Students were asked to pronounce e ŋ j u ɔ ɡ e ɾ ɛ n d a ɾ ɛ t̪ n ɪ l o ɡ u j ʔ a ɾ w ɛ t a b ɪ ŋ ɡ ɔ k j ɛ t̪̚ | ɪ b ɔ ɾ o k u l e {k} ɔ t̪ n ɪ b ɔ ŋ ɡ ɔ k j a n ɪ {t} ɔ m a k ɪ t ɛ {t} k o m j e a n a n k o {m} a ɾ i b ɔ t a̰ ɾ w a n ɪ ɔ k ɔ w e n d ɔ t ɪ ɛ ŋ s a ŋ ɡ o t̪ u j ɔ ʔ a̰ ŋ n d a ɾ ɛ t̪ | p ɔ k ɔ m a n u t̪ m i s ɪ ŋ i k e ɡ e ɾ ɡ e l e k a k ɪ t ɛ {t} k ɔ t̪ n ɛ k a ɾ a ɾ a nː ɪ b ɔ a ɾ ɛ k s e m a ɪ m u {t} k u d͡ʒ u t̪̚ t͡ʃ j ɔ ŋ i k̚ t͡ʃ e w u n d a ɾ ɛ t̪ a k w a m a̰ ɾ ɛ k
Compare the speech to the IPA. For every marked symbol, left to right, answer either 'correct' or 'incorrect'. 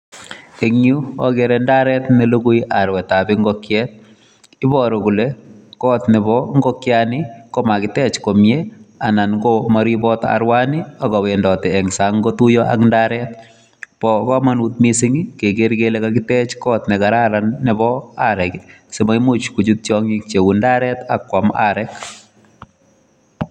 correct, incorrect: k, incorrect: t͡ʃ, correct, incorrect: t͡ʃ, incorrect: t͡ʃ

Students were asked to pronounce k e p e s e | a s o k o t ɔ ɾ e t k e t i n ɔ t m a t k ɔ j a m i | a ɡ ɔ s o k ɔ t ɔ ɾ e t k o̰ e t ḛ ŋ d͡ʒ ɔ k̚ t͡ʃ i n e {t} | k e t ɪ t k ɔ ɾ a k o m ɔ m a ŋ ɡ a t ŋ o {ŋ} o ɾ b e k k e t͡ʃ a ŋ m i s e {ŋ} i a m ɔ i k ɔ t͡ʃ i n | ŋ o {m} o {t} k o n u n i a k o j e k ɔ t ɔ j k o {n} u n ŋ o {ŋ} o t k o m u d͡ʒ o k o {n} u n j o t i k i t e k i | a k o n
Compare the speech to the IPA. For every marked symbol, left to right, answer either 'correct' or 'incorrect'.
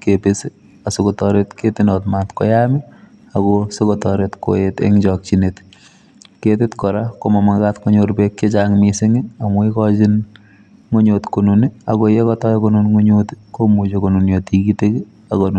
correct, incorrect: ɲ, correct, incorrect: ɲ, correct, correct, incorrect: ɲ, correct

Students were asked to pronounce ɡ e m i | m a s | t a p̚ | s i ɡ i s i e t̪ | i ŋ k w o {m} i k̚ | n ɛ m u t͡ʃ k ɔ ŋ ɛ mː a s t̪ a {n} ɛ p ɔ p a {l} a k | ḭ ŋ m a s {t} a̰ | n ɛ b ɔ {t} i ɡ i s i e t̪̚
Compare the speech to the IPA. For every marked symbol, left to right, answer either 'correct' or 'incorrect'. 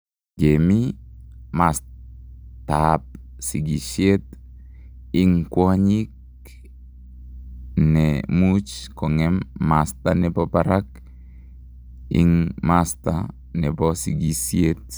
incorrect: ɲ, correct, incorrect: ɾ, correct, incorrect: s

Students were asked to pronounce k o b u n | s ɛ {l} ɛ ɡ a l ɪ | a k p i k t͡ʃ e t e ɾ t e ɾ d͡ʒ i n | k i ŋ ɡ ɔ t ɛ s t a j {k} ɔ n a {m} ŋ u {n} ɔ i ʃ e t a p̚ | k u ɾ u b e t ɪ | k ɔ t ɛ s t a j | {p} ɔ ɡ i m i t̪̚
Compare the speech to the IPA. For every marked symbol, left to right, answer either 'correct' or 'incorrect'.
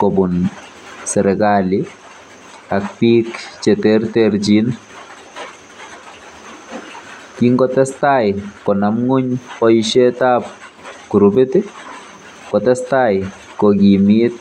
incorrect: ɾ, correct, correct, incorrect: ɲ, incorrect: k

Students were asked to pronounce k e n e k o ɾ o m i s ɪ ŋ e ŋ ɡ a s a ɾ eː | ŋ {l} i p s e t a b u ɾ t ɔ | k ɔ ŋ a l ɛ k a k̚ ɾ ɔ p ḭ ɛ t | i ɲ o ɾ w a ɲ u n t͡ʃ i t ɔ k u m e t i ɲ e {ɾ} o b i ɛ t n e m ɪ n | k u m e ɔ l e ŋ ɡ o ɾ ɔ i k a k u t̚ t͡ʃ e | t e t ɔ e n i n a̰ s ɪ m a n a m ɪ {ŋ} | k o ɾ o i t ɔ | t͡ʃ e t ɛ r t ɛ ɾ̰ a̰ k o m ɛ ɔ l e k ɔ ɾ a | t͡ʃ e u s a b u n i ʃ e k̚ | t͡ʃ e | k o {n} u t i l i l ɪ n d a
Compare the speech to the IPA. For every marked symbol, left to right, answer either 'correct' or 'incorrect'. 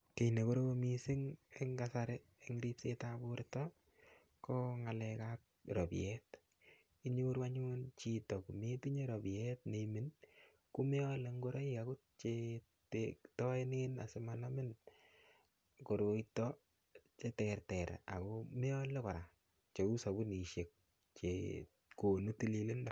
incorrect: ɾ, correct, incorrect: n, correct

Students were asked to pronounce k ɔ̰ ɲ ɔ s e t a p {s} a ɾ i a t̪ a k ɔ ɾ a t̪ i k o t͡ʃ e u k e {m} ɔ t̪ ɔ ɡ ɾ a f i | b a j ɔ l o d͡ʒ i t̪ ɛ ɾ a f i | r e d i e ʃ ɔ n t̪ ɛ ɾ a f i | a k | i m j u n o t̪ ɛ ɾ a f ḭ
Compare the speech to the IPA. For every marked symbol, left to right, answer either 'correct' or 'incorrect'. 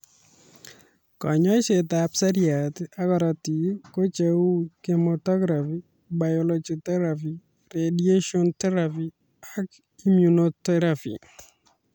correct, correct

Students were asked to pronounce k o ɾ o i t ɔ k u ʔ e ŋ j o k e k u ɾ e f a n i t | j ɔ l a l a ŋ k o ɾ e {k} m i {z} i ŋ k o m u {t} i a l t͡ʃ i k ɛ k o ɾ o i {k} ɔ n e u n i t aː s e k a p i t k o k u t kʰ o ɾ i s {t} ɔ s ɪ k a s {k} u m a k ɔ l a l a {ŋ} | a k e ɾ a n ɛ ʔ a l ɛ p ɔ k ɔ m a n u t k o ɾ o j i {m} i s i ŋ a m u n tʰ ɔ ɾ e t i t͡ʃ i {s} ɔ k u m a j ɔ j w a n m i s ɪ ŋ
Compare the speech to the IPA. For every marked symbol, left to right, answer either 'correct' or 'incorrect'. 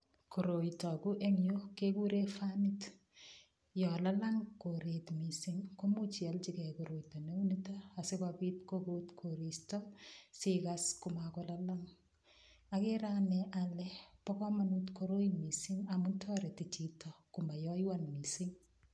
incorrect: t, incorrect: s, incorrect: t͡ʃ, incorrect: t, correct, correct, correct, correct, incorrect: t

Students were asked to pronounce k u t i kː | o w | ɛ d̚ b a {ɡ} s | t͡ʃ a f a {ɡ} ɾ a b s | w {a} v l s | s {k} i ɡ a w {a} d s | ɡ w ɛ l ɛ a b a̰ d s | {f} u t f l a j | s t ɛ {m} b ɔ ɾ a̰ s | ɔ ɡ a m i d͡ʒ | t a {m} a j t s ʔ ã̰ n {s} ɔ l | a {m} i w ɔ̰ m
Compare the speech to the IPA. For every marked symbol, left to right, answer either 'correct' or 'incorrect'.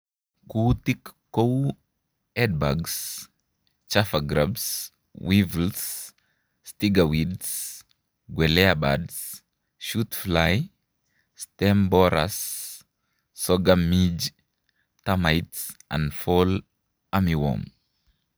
correct, correct, incorrect: i, incorrect: t, incorrect: i, incorrect: ʃ, correct, correct, incorrect: f, correct

